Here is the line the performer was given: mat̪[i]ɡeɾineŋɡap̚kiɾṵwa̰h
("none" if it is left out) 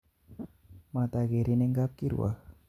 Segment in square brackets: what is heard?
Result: a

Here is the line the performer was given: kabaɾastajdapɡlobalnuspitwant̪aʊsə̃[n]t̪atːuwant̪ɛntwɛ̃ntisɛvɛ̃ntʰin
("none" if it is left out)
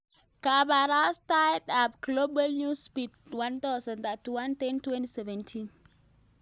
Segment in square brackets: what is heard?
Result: n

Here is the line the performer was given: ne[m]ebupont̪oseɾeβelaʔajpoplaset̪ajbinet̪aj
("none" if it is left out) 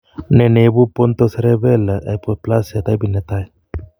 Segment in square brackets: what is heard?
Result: n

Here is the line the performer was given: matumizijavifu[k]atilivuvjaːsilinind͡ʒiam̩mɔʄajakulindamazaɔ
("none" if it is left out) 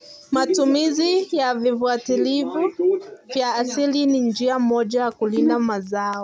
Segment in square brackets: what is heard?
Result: none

